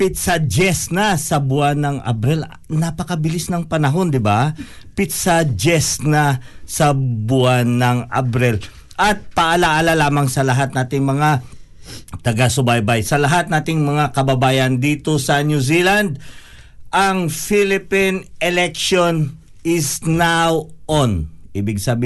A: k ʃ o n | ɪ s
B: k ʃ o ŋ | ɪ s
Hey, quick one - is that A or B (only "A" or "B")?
A